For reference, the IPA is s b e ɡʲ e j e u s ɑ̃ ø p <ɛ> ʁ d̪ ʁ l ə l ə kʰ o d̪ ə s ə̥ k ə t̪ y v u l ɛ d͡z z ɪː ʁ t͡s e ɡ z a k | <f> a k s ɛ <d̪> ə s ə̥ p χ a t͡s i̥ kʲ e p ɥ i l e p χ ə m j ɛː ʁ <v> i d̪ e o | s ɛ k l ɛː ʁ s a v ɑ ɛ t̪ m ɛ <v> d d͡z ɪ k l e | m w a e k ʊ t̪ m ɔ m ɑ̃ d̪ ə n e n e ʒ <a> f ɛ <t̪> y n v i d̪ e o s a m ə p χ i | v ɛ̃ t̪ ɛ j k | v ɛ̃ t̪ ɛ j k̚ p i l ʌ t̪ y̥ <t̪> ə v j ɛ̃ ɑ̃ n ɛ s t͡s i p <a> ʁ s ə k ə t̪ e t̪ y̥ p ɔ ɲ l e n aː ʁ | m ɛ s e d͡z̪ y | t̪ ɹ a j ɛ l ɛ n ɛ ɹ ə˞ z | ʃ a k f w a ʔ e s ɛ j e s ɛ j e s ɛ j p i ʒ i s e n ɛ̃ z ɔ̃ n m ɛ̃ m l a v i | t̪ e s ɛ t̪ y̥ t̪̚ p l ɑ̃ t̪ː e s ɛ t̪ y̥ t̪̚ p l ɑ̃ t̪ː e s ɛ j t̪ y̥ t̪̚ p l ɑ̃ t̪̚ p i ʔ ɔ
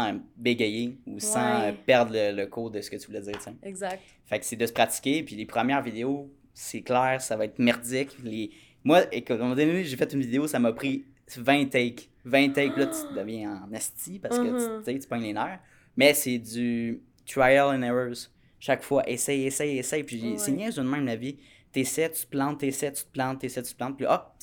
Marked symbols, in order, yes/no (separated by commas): yes, yes, yes, yes, no, no, yes, no, yes